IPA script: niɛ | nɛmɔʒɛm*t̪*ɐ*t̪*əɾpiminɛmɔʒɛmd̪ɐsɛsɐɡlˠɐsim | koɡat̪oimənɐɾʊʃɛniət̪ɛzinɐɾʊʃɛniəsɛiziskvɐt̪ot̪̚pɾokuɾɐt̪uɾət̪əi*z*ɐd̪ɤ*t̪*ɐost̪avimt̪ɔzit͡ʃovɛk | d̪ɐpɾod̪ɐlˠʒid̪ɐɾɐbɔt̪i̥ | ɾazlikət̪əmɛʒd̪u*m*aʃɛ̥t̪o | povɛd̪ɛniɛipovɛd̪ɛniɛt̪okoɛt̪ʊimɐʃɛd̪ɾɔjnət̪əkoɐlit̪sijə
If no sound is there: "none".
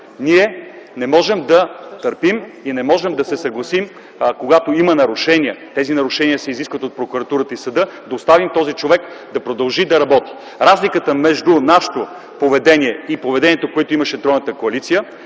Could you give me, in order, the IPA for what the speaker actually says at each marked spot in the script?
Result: d̪, t̪, s, d̪, n

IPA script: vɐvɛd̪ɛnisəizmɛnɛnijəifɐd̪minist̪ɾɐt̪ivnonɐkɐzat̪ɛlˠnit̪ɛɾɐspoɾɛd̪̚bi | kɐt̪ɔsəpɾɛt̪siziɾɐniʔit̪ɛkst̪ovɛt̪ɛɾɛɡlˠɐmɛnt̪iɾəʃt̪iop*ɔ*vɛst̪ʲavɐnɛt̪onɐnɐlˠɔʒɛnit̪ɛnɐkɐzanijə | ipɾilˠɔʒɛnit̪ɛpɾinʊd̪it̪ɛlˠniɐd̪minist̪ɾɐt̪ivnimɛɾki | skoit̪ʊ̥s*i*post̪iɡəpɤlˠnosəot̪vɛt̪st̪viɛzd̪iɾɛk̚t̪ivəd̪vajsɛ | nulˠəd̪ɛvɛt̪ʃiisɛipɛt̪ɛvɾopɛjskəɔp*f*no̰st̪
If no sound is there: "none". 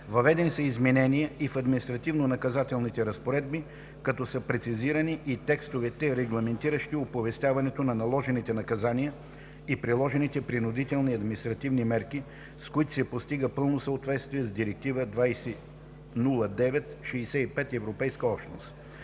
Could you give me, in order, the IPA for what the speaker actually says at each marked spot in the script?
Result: o, ɛ, ʃ

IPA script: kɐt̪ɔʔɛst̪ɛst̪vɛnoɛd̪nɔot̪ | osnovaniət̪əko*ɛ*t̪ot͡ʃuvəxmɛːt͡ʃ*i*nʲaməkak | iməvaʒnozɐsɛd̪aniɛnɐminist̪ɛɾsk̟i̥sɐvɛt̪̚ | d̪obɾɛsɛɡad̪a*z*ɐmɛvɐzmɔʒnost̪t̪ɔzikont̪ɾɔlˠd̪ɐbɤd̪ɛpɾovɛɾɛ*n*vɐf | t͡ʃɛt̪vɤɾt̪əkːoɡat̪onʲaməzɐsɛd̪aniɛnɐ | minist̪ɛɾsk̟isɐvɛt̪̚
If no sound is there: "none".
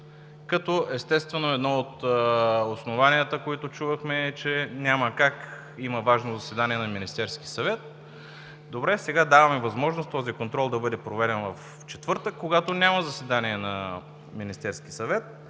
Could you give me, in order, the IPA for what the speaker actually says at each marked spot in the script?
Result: i, ɛ, v, n

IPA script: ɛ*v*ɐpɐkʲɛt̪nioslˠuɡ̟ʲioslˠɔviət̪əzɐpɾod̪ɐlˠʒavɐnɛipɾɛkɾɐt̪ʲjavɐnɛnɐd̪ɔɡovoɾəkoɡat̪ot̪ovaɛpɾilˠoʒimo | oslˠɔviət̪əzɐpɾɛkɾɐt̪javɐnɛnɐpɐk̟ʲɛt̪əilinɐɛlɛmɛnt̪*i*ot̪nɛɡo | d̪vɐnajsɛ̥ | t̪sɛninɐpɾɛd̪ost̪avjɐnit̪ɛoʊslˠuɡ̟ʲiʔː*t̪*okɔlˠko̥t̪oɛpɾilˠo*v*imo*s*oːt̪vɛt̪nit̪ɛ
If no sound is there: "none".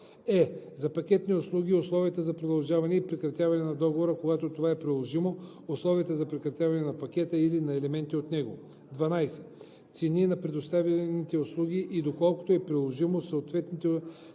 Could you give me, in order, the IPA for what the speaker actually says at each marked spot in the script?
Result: z, i, d̪, ʒ, s

